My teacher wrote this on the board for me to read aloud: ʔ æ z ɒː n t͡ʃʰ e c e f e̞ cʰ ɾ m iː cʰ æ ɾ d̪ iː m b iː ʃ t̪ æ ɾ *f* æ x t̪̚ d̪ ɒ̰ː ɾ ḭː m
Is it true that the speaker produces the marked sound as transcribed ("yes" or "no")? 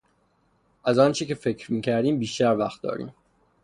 no